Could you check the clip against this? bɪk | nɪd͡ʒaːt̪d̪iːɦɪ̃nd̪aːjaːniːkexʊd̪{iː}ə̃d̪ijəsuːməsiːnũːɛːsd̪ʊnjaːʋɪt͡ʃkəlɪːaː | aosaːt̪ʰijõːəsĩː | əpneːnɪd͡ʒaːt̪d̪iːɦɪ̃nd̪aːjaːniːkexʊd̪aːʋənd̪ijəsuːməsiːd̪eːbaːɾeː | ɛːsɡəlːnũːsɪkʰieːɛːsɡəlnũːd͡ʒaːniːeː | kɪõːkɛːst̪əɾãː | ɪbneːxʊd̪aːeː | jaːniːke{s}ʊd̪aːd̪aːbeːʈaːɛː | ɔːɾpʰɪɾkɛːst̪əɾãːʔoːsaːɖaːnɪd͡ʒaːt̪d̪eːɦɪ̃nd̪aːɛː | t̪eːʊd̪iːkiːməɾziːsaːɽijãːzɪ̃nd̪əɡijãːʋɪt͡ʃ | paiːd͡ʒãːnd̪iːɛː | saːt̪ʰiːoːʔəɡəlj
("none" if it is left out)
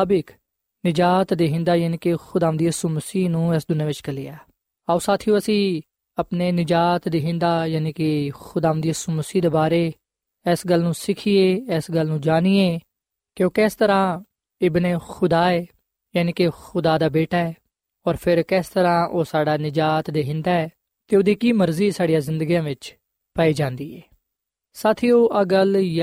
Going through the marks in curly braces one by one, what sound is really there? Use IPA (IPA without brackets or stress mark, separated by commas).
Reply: aː, x